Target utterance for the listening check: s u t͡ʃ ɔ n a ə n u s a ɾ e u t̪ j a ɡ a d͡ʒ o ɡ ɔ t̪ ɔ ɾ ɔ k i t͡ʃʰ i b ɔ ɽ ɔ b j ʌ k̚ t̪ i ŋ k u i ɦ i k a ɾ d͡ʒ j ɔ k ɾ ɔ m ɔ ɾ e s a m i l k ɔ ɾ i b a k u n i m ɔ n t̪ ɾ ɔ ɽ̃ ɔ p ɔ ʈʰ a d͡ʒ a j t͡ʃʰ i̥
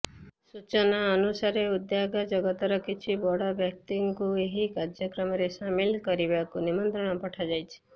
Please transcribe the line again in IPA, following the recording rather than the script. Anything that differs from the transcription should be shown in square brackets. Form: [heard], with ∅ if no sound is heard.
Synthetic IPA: s u t͡ʃ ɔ n a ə n u s a ɾ e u [d̪] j a ɡ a d͡ʒ [ɔ] ɡ ɔ t̪ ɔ ɾ ɔ k i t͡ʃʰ i b ɔ ɽ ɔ b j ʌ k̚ t̪ i ŋ k u [e] ɦ i k a ɾ d͡ʒ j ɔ k ɾ ɔ m ɔ ɾ e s a m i l k ɔ ɾ i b a k u n i m ɔ n t̪ ɾ ɔ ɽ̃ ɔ p ɔ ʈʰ a d͡ʒ a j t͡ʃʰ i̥

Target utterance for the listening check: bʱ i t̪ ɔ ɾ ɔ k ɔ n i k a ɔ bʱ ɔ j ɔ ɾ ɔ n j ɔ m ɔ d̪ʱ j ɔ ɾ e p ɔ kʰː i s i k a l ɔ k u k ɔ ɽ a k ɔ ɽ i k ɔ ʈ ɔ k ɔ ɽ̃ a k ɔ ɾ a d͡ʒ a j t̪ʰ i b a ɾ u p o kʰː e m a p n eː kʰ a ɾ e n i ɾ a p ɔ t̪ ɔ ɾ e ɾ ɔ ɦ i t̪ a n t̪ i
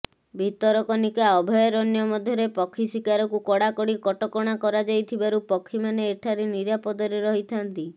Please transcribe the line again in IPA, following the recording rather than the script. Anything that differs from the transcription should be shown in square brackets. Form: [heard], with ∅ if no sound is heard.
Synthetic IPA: bʱ i t̪ ɔ ɾ ɔ k ɔ n i k a ɔ bʱ ɔ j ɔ ɾ ɔ n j ɔ m ɔ d̪ʱ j ɔ ɾ e p ɔ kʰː i s i k a [ɾ] ɔ k u k ɔ ɽ a k ɔ ɽ i k ɔ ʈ ɔ k ɔ ɽ̃ a k ɔ ɾ a d͡ʒ a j t̪ʰ i b a ɾ u p [ɔ] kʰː [i] m a [∅] n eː [ʈʰ] a ɾ e n i ɾ a p ɔ [d̪] ɔ ɾ e ɾ ɔ ɦ i [t̪ʰ] a n t̪ i

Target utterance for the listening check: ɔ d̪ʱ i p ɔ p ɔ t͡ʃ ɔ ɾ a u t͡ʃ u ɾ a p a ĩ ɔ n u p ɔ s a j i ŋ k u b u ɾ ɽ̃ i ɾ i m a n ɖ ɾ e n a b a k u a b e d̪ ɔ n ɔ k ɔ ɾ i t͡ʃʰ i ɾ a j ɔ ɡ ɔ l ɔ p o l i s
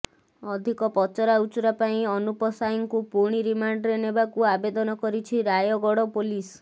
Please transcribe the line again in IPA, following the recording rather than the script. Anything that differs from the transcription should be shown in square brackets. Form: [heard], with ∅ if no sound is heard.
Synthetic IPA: ɔ d̪ʱ i [k] ɔ p ɔ t͡ʃ ɔ ɾ a u t͡ʃ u ɾ a p a ĩ ɔ n u p ɔ s a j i ŋ k u [p] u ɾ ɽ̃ i ɾ i m a [ɳ] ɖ ɾ e n [e] b a k u a b e d̪ ɔ n ɔ k ɔ ɾ i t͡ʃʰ i ɾ a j ɔ ɡ ɔ [ɽ] ɔ p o l i s

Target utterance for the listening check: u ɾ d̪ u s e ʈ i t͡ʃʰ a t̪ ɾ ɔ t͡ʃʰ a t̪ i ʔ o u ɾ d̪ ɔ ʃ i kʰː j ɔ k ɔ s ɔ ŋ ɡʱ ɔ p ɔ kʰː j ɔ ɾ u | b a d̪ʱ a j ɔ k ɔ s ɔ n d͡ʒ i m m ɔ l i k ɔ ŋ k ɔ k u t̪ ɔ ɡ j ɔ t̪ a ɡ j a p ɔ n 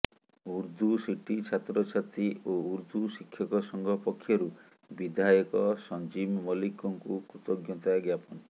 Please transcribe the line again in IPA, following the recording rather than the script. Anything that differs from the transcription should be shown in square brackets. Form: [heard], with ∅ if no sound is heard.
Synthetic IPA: u ɾ d̪ u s [i] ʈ i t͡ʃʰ a t̪ ɾ ɔ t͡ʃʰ a t̪ i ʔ o u ɾ d̪ [u] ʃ i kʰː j ɔ k ɔ s ɔ ŋ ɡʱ ɔ p ɔ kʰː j ɔ ɾ u | b [i] d̪ʱ a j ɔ k ɔ s ɔ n d͡ʒ i m m ɔ l i k ɔ ŋ k [u] k u t̪ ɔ ɡ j ɔ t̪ a ɡ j a p ɔ n

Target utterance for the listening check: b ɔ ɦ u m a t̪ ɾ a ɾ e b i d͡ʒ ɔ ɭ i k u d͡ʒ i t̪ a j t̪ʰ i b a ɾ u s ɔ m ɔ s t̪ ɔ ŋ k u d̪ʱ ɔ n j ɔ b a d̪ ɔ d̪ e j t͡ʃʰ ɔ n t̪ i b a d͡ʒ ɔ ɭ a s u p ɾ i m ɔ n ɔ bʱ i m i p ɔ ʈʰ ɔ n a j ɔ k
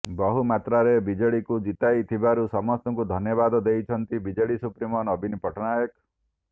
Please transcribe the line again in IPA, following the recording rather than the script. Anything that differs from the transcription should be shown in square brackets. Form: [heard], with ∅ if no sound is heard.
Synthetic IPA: b ɔ ɦ u m a t̪ ɾ a ɾ e b i d͡ʒ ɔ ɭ i k u d͡ʒ i t̪ a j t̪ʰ i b a ɾ u s ɔ m ɔ s t̪ ɔ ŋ k u d̪ʱ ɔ n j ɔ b a d̪ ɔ d̪ e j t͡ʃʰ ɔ n t̪ i b [i] d͡ʒ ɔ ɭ [i] s u p ɾ i m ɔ n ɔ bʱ i [n] i p ɔ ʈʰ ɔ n a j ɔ k

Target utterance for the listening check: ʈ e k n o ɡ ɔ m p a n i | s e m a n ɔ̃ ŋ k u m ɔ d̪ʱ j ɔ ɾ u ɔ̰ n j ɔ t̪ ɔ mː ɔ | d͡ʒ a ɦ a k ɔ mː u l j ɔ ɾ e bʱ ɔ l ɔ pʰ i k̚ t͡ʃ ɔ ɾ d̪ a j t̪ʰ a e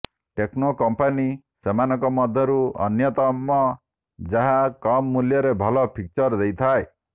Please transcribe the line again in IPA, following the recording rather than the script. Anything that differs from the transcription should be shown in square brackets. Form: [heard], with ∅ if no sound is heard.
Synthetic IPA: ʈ e k n o [k] ɔ m p a n i | s e m a n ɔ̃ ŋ k [ɔ] m ɔ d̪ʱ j ɔ ɾ u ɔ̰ n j ɔ t̪ ɔ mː ɔ | d͡ʒ a ɦ a k ɔ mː u l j ɔ ɾ e bʱ ɔ l ɔ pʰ i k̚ t͡ʃ ɔ ɾ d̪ [e] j t̪ʰ a e

